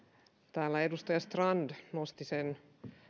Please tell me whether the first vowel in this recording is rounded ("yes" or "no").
no